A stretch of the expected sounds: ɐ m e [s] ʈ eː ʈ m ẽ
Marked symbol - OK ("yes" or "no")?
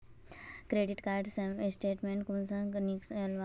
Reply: yes